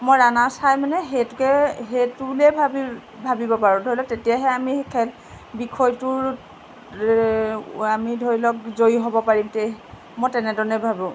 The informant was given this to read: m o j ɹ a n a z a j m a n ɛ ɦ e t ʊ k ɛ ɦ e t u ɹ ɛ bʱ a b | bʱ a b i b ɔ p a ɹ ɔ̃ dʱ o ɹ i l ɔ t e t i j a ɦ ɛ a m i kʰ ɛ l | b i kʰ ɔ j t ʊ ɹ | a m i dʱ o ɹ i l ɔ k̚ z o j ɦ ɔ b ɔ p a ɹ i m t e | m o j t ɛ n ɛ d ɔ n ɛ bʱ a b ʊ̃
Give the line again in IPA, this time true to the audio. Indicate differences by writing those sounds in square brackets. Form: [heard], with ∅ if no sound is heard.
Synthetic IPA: m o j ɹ a n a [s] a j m a n ɛ ɦ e t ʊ k ɛ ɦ e t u [l] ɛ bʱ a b | bʱ a b i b ɔ p a ɹ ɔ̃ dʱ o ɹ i l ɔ t e t i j a ɦ ɛ a m i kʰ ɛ l | b i kʰ ɔ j t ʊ ɹ | a m i dʱ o ɹ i l ɔ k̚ z o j ɦ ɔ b ɔ p a ɹ i m t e | m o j t ɛ n ɛ d ɔ n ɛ bʱ a b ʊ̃